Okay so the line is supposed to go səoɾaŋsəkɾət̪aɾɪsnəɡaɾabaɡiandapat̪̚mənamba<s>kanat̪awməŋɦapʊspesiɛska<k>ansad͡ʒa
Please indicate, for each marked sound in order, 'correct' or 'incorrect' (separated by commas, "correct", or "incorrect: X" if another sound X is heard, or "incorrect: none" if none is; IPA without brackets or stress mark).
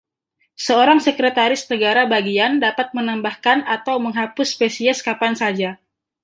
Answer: incorrect: h, incorrect: p